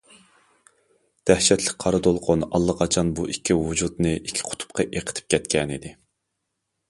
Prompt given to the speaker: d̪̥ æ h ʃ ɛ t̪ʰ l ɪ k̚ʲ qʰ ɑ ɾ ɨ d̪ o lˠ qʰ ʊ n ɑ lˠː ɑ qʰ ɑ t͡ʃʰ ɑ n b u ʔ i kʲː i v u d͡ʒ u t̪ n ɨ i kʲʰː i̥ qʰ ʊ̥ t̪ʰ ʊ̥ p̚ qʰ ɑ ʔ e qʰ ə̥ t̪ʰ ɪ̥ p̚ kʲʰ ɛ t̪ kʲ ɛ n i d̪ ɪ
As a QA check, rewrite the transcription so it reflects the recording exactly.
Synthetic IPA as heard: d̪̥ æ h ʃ ɛ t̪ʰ l ɪ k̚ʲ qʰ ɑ ɾ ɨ d̪ o lˠ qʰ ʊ n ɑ lˠː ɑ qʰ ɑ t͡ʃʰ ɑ n b u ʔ i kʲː i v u d͡ʒ u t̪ n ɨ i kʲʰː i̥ qʰ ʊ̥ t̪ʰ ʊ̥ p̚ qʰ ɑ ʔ e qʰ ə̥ t̪ʰ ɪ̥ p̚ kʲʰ ɛ t̪ kʲ ɛ n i d̪ ɪ

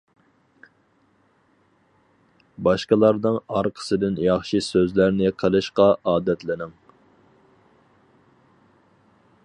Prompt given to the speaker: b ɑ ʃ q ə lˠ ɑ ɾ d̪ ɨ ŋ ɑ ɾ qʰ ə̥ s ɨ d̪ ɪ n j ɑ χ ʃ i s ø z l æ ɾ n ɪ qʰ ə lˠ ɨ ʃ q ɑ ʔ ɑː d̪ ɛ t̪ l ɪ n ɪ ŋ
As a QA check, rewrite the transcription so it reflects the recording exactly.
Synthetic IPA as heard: b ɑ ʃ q ə lˠ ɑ ɾ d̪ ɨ ŋ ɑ ɾ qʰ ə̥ s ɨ d̪ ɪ n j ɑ χ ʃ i s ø z l æ ɾ n ɪ qʰ ə lˠ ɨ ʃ q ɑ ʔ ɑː d̪ ɛ t̪ l ɪ n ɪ ŋ

